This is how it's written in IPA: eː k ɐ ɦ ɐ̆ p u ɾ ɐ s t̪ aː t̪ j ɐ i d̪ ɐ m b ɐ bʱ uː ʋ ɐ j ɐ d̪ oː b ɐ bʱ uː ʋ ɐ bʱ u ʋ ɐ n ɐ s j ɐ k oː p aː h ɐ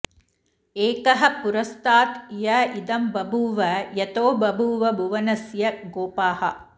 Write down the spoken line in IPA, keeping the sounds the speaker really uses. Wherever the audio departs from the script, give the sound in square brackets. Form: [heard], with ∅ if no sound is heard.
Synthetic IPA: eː k ɐ ɦ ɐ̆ p u ɾ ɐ s t̪ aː t̪ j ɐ i d̪ ɐ m b ɐ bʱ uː ʋ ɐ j ɐ [t̪] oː b ɐ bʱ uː ʋ ɐ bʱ u ʋ ɐ n ɐ s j ɐ [ɡ] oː p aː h ɐ